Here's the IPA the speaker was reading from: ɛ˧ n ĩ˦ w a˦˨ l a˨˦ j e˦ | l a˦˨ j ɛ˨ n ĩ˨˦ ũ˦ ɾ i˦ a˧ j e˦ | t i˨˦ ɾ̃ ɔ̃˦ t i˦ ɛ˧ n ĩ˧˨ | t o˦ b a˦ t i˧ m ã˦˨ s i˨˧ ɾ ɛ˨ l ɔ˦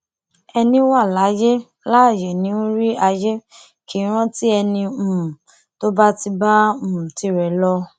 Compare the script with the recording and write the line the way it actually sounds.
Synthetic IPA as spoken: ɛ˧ n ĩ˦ w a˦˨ l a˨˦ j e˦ | l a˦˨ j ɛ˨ n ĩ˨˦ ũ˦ ɾ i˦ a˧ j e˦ | k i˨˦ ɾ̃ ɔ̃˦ t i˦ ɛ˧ n ĩ˧˨ | t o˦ b a˦ t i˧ b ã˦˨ t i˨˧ ɾ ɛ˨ l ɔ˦

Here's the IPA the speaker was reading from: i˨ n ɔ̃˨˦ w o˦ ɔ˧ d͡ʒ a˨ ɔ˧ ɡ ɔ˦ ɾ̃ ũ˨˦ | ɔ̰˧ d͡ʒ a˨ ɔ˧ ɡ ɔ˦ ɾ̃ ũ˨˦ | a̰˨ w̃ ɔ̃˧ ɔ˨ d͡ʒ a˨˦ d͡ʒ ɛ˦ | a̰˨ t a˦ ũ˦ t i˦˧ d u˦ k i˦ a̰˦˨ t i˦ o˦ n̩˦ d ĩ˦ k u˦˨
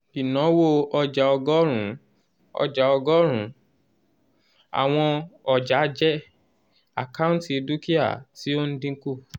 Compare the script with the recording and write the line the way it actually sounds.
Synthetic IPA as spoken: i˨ n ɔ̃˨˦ w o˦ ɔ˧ d͡ʒ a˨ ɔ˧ ɡ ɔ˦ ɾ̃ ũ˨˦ | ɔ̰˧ d͡ʒ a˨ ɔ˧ ɡ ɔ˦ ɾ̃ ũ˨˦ | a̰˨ w̃ ɔ̃˧ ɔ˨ d͡ʒ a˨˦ d͡ʒ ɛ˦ | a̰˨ k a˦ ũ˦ t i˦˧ d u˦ k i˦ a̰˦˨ t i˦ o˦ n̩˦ d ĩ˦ k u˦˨

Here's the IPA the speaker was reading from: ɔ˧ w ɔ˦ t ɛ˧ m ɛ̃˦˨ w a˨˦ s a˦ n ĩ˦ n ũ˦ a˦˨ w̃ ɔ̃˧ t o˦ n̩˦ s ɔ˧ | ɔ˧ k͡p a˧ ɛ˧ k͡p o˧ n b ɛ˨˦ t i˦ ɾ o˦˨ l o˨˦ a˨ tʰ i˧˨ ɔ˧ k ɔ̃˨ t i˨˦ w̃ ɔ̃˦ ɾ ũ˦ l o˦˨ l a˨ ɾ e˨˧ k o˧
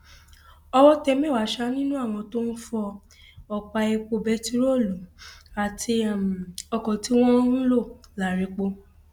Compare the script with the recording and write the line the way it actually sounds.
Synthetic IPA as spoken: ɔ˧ w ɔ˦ t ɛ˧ m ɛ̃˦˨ w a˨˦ ʃ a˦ n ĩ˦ n ũ˦ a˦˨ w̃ ɔ̃˧ t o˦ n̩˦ f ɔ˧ | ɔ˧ k͡p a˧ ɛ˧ k͡p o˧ b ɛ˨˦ t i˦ ɾ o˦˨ l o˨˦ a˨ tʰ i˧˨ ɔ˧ k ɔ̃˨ t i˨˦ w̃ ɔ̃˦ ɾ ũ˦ l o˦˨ l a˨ ɾ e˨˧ k͡p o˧

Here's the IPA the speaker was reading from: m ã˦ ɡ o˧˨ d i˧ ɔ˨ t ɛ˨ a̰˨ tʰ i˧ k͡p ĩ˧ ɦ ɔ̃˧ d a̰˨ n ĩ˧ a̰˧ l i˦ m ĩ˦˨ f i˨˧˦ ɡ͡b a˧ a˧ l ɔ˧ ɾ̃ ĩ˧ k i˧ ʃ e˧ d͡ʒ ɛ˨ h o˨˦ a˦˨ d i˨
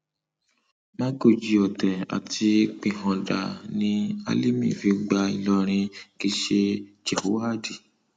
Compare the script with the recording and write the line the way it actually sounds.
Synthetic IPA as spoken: m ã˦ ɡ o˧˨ d͡ʒ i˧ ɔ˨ t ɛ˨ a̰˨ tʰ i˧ k͡p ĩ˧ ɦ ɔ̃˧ d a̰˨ n ĩ˧ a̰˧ l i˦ m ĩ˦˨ f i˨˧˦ ɡ͡b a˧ i˧ l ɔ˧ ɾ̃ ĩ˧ k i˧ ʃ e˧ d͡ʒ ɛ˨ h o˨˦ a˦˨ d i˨

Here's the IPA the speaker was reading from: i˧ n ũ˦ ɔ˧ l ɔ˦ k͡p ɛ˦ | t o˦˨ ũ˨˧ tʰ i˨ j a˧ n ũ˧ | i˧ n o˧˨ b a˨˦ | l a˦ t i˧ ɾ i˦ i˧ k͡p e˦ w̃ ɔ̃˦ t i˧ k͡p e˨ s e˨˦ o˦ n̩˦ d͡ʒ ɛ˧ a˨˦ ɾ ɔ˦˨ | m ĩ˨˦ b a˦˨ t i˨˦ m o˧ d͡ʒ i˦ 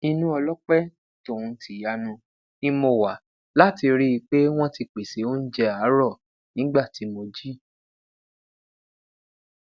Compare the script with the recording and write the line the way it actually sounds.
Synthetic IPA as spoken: i˧ n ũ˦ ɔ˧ l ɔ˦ k͡p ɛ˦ | t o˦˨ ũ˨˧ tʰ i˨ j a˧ n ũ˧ | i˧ m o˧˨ w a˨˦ | l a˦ t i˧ ɾ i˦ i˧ k͡p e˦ w̃ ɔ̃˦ t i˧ k͡p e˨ s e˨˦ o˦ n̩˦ d͡ʒ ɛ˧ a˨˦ ɾ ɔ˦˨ | n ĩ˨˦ ɡ͡b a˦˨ t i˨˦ m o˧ d͡ʒ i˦

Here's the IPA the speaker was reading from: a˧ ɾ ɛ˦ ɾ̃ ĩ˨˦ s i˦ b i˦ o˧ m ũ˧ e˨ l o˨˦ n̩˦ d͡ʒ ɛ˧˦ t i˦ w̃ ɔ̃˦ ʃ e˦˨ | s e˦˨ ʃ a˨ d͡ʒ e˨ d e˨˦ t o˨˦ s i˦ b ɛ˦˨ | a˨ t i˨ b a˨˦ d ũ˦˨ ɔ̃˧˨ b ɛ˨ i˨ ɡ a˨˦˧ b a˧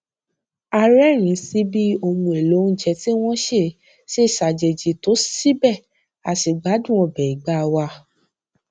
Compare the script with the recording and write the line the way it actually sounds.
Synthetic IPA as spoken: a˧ ɾ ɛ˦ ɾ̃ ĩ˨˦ s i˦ b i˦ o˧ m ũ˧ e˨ l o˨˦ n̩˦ d͡ʒ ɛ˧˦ t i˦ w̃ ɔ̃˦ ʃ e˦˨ | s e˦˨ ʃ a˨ d͡ʒ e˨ d͡ʒ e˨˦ t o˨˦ s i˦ b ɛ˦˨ | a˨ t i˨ ɡ͡b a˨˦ d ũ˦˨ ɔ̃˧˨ b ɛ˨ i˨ ɡ͡b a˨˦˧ w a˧

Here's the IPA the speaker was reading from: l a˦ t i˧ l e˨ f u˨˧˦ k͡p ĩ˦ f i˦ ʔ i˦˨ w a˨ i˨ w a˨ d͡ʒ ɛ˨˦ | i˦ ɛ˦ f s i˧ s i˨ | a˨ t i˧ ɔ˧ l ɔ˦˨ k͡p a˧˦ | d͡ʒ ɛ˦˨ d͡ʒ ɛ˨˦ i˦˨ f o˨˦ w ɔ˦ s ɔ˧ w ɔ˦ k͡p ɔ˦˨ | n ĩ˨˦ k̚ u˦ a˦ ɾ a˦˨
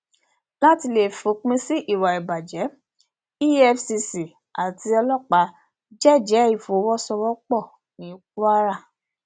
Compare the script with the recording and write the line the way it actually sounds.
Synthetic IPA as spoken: l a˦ t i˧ l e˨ f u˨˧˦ k͡p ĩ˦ s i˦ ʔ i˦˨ w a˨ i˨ b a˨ d͡ʒ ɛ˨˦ | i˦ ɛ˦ f s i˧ s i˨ | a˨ t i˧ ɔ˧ l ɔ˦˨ k͡p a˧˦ | d͡ʒ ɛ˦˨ d͡ʒ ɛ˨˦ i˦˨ f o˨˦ w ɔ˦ s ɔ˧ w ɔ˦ k͡p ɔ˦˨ | n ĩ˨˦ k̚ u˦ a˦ ɾ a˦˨

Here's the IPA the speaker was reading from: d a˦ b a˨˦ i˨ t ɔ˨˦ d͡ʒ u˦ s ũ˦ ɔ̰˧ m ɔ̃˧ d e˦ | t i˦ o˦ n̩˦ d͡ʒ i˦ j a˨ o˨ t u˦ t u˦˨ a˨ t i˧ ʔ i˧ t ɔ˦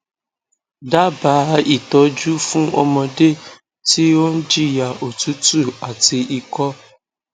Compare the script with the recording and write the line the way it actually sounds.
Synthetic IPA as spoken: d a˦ b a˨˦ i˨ t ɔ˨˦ d͡ʒ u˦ f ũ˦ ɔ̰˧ m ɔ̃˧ d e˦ | t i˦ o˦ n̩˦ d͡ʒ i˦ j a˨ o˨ t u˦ t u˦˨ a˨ t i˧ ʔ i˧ k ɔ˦

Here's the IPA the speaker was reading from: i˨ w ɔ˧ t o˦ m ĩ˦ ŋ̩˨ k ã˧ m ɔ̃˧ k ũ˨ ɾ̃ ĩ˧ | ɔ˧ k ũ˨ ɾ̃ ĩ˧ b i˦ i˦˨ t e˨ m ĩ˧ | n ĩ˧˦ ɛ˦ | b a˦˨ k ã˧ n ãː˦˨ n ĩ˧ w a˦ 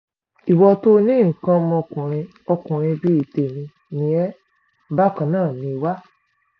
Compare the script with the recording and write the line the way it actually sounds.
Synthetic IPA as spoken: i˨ w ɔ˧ t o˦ n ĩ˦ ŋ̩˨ k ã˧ m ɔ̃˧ k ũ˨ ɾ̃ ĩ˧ | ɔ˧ k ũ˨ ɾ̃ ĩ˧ b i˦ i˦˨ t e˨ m ĩ˧ | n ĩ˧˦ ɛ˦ | b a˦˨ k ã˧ n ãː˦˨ n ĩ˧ w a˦

